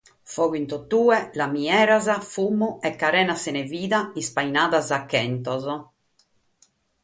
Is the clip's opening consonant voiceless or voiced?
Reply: voiceless